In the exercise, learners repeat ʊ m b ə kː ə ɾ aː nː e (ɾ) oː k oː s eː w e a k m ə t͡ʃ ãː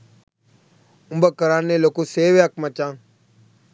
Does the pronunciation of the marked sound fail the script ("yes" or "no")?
yes